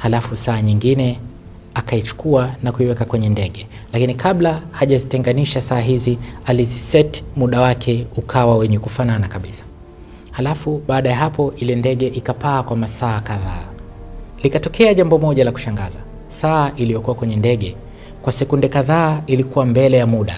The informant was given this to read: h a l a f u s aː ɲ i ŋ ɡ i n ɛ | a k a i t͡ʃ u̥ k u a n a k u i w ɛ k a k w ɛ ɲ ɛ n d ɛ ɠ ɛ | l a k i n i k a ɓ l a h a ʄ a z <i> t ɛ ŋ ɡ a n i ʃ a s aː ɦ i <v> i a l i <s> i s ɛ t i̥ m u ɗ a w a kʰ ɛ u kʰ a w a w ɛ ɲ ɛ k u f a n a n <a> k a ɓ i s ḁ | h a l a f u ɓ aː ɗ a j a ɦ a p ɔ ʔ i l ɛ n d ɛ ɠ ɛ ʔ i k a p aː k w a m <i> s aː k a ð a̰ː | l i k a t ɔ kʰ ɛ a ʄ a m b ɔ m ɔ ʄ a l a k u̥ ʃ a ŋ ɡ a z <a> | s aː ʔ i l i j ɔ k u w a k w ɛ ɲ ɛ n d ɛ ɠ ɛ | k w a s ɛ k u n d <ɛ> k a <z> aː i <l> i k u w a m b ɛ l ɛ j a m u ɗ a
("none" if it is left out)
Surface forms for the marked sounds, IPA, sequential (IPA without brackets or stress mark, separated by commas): i, z, z, a, a, a, ɛ, ð, l